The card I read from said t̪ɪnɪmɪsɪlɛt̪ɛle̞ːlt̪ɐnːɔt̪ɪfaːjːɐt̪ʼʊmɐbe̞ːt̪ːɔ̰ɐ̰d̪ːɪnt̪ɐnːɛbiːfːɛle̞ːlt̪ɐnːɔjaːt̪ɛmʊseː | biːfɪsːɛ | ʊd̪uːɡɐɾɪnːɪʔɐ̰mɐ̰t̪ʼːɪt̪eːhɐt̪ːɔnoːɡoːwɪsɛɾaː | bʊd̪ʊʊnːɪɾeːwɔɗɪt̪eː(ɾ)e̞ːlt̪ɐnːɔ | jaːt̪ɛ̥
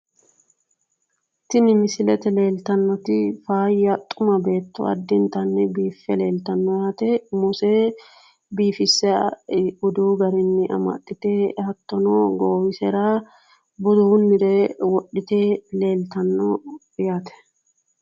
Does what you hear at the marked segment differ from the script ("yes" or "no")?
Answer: yes